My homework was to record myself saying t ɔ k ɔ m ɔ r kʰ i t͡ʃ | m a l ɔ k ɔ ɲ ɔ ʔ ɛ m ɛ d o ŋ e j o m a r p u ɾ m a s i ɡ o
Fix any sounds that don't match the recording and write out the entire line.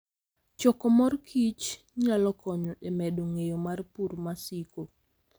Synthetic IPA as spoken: t͡ʃ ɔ k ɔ m ɔ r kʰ i t͡ʃ | ɲ a l ɔ k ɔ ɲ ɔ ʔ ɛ m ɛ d o ŋ e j o m a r p u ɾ m a s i k o